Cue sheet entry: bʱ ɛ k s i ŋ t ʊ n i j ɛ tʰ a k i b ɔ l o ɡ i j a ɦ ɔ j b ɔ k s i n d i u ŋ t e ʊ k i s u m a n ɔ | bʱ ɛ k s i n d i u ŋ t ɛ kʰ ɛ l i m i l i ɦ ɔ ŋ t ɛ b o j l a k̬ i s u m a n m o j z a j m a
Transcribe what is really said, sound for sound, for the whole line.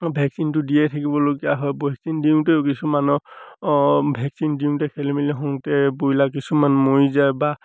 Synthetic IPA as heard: bʱ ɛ k s i n t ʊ d i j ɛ tʰ a k i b ɔ l o ɡ i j a ɦ ɔ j b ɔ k s i n d i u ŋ t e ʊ k i s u m a n ɔ | bʱ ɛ k s i n d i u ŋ t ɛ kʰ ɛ l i m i l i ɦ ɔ ŋ t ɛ b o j l a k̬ i s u m a n m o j z a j b a